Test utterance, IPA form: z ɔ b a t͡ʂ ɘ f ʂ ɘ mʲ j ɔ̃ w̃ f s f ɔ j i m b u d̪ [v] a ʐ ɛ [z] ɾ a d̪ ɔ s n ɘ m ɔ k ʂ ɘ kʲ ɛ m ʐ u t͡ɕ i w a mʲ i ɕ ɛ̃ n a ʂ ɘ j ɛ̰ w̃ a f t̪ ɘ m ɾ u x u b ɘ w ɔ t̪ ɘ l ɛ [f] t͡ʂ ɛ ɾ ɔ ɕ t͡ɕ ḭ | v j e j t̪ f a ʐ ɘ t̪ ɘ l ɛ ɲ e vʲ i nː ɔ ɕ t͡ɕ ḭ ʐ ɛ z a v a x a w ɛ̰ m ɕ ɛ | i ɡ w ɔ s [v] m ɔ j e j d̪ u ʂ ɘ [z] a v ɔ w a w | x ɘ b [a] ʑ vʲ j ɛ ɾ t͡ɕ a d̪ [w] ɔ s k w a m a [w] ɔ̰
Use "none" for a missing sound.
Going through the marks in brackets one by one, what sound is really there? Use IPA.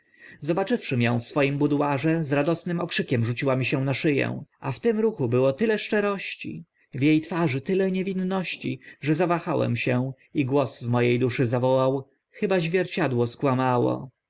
w, z, ʂ, v, z, a, w, w

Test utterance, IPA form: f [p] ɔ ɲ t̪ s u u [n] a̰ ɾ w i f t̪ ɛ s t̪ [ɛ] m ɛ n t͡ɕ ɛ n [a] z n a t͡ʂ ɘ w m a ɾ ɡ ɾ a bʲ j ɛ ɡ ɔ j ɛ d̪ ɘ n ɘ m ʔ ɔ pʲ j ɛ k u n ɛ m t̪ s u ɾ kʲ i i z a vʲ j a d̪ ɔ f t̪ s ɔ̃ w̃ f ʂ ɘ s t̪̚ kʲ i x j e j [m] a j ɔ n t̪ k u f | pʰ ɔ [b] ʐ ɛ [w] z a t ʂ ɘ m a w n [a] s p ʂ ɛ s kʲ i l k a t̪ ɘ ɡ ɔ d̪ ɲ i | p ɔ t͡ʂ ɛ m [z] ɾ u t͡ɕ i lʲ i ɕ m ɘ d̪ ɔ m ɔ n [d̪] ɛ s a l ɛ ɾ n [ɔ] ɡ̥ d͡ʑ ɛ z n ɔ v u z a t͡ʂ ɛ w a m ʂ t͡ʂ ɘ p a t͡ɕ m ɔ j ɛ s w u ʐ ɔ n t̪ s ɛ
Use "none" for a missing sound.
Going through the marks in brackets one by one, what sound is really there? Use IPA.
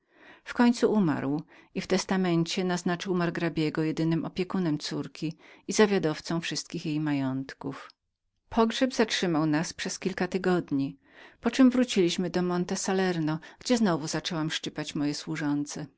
k, m, a, a, m, ɡ, b, a, v, t̪, ɔ

